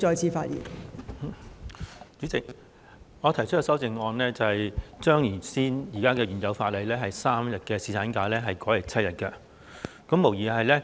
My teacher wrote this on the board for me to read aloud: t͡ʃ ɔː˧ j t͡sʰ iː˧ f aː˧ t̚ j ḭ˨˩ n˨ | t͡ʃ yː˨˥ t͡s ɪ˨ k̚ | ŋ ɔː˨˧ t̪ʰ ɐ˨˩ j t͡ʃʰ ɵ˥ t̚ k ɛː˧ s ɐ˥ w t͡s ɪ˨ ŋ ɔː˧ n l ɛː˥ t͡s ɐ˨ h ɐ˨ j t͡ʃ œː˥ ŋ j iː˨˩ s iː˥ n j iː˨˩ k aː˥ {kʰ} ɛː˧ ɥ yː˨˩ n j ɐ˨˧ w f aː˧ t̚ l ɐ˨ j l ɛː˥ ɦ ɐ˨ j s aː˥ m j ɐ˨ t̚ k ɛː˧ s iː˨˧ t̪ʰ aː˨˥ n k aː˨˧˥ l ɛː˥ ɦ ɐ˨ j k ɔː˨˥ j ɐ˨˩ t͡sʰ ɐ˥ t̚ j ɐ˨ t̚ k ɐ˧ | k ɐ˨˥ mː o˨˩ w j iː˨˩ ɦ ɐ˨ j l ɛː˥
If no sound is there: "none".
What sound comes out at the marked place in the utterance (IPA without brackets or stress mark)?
k